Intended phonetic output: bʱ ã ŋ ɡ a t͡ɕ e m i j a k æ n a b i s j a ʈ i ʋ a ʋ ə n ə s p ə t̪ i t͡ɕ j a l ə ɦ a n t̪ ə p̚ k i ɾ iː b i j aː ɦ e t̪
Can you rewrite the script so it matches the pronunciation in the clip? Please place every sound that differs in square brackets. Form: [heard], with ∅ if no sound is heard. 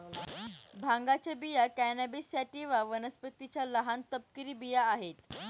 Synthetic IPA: bʱ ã ŋ ɡ a t͡ɕ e [b] i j a k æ n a b i s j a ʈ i ʋ a ʋ ə n ə s p ə t̪ i t͡ɕ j a l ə ɦ a n t̪ ə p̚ k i ɾ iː b i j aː ɦ e t̪

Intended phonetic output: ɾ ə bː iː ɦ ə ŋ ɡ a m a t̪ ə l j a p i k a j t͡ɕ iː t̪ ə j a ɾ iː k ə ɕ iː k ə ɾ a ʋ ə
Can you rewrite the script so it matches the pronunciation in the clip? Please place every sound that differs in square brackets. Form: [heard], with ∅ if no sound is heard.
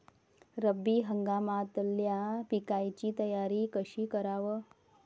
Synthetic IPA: ɾ ə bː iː ɦ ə ŋ ɡ a m a t̪ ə l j a p i k a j t͡ɕ iː t̪ ə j a ɾ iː k ə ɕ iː k ə ɾ a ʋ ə

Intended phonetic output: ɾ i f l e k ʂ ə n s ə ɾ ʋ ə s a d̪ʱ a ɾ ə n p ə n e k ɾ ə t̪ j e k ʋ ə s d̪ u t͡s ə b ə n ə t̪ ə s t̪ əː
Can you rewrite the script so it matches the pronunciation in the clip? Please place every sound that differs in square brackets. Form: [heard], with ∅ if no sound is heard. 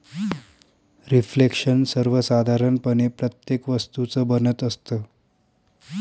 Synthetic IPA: ɾ i f l e k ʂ ə n s ə ɾ ʋ ə s a d̪ʱ a ɾ ə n p ə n e [p] ɾ ə t̪ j e k ʋ ə s [t̪] u t͡s ə b ə n ə t̪ ə s t̪ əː

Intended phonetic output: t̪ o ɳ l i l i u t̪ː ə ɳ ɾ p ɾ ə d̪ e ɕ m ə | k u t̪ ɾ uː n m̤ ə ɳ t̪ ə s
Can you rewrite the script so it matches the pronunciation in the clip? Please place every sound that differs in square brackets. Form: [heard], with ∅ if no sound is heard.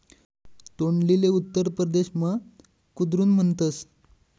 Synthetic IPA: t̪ o ɳ l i l [e] u t̪ː ə [∅] ɾ p ɾ ə d̪ e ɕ m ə | k u [d̪] ɾ uː n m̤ ə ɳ t̪ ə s

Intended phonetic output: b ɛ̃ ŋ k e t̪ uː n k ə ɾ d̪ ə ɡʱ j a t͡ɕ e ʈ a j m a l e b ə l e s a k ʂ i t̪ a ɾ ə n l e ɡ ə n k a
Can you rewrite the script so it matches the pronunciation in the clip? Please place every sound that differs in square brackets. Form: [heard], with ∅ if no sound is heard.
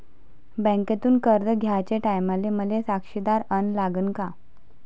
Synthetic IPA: b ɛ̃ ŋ k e t̪ uː n k ə ɾ d̪ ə ɡʱ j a t͡ɕ e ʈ a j m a l e [m] ə l e s a k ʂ i [d̪] a ɾ ə n l [a] ɡ ə n k a

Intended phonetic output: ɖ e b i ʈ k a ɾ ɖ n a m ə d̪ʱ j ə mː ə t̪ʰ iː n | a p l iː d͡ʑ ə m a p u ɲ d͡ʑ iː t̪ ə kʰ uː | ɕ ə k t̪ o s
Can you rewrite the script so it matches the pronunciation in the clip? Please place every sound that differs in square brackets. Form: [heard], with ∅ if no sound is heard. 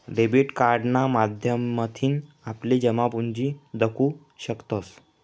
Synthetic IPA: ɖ e b i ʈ k a ɾ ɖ n a m [a] d̪ʱ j ə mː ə t̪ʰ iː n | a p l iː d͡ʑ ə m a p u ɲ d͡ʑ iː [d̪] ə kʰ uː | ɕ ə k t̪ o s

